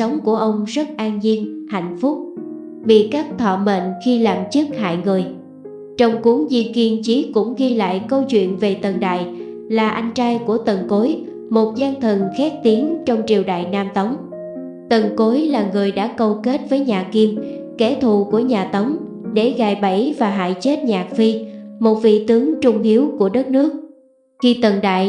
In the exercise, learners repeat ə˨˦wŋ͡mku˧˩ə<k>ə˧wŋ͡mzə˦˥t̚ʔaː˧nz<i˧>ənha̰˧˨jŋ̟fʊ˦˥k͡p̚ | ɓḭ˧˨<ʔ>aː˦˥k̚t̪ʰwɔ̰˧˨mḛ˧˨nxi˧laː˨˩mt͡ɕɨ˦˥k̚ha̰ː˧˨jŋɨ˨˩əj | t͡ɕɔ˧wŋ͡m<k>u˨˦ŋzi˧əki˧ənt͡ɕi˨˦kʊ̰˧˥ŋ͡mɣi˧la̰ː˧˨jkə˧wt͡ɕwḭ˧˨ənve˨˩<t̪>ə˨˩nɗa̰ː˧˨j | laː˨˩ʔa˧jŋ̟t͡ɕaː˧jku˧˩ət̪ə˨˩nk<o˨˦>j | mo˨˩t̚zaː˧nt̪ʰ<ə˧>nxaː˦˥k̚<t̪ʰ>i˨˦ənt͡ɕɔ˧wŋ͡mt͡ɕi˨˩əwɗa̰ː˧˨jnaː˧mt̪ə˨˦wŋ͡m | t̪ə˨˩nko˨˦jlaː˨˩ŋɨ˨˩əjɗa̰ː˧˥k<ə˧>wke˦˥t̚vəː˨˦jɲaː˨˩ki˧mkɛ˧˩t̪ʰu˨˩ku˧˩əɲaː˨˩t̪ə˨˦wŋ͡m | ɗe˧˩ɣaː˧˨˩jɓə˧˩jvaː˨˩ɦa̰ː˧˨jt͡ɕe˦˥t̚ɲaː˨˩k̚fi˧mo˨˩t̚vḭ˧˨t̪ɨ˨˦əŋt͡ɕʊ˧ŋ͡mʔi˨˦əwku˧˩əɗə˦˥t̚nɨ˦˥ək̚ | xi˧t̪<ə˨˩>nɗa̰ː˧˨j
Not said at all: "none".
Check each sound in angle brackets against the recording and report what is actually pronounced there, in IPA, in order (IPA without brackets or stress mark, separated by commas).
ʔ, i˧, k, k, t̪, o˨˦, ə˨˩, t̪, ə˧, ə˨˩